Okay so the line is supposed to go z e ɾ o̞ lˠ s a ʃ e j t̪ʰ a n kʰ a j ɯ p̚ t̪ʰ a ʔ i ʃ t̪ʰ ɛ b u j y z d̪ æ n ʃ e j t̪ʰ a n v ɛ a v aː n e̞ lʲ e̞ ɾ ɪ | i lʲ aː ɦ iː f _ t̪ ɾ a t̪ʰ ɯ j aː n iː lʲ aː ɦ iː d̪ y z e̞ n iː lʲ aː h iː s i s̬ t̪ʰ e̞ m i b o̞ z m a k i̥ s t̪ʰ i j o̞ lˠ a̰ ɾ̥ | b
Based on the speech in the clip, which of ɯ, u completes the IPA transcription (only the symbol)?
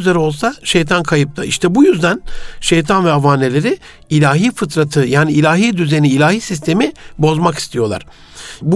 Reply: ɯ